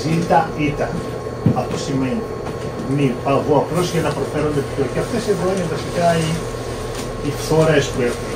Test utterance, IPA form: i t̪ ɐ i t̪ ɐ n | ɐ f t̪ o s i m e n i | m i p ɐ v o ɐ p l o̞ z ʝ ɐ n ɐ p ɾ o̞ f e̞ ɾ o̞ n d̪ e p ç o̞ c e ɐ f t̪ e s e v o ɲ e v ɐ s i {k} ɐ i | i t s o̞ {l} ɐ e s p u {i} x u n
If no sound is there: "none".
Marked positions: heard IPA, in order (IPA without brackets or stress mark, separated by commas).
k, ɾ, e